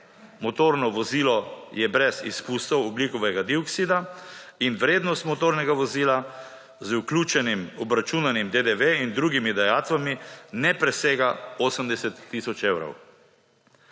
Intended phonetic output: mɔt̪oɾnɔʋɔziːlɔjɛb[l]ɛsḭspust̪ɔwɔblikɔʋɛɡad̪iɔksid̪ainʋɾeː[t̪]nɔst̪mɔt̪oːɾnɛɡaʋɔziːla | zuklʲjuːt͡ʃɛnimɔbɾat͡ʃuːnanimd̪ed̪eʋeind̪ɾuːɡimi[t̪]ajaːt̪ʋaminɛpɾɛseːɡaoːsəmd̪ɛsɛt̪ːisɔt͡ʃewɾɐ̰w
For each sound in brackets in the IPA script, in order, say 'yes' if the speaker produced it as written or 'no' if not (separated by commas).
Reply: no, no, no